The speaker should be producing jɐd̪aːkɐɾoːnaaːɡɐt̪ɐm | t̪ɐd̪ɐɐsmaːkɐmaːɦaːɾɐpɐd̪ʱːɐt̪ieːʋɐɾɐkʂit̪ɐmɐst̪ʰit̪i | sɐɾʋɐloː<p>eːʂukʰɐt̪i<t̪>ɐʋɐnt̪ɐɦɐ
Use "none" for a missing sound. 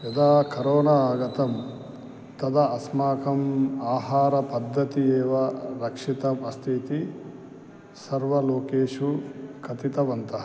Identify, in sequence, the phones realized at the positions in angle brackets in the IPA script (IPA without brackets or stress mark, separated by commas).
k, t̪